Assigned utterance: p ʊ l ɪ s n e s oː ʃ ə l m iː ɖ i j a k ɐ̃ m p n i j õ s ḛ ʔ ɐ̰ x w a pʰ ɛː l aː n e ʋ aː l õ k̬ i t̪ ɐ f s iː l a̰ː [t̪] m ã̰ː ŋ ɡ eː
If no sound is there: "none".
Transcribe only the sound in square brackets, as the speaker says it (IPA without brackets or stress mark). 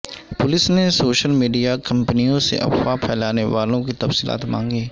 t̪